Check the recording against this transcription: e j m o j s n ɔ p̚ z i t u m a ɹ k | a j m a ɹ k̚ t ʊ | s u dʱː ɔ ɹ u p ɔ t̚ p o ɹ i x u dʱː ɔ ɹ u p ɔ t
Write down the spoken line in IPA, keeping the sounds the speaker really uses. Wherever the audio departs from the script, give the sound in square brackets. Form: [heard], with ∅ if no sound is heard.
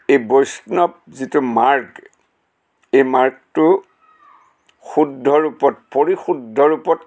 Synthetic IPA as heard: e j [b] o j s n ɔ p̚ z i t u m a ɹ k | [e] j m a ɹ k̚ t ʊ | [x] u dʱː ɔ ɹ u p ɔ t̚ p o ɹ i x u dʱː ɔ ɹ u p ɔ t